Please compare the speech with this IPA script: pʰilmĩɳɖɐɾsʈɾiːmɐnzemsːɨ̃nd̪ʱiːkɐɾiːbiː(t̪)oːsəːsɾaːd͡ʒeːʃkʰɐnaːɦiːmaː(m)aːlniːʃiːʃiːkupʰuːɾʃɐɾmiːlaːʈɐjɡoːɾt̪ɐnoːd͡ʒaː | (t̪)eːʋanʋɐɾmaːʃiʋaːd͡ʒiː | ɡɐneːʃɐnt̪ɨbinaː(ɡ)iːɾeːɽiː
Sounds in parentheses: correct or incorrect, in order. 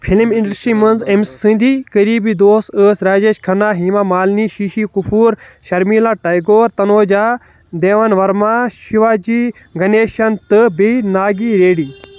incorrect: d̪, correct, incorrect: d̪, correct

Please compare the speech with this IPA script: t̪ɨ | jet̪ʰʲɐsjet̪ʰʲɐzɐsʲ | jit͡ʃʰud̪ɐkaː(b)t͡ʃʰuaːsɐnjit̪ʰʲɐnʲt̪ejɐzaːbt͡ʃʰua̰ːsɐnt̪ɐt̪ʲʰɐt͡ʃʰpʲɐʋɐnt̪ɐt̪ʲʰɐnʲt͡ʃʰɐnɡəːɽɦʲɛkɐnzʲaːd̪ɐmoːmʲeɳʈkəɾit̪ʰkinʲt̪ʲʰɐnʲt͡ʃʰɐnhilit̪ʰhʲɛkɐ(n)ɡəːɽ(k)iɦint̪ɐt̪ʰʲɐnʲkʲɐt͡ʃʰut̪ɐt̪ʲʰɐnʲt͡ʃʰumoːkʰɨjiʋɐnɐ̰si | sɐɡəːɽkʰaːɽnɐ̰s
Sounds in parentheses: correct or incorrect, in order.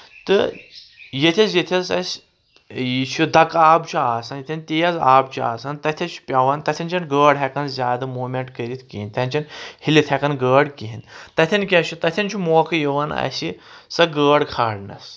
correct, correct, correct

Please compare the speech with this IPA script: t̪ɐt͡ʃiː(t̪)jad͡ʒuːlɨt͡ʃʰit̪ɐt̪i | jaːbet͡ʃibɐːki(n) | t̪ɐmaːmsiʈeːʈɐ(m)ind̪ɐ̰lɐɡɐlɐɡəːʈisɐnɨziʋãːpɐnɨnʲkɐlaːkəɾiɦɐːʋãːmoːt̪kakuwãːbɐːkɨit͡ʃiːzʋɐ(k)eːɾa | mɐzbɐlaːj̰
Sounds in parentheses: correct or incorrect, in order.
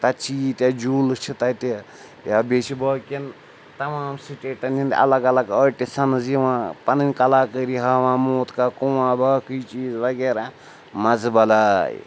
correct, correct, incorrect: n, incorrect: ɡ

